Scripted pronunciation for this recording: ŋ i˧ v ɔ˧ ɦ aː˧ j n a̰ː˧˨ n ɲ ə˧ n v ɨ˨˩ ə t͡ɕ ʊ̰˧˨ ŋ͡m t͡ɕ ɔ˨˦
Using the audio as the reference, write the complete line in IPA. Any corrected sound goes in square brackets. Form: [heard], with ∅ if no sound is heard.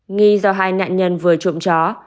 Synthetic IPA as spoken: ŋ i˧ [z] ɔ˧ ɦ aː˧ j n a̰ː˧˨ n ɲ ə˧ n v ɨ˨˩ ə t͡ɕ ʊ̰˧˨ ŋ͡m t͡ɕ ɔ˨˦